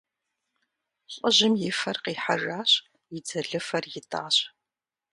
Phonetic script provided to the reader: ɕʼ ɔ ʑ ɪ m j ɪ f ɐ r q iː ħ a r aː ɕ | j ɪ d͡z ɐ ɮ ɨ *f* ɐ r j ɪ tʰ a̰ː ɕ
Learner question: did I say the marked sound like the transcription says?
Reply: yes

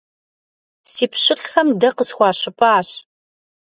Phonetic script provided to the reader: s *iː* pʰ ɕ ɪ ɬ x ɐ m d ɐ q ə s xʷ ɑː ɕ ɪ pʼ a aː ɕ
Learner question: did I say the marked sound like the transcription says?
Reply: yes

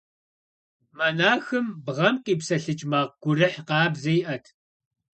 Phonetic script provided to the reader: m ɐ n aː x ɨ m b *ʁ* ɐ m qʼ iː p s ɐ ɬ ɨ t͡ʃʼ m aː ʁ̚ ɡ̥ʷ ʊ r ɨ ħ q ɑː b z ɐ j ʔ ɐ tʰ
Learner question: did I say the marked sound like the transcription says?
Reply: yes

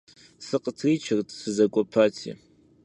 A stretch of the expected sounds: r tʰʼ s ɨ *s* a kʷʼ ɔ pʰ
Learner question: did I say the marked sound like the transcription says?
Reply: no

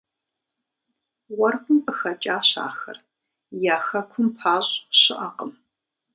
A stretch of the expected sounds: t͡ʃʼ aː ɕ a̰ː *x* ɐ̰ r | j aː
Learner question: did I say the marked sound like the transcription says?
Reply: yes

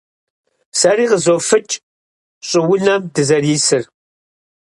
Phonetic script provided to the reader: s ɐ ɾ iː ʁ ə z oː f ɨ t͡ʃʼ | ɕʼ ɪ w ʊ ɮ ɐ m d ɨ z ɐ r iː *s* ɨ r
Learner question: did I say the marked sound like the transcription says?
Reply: yes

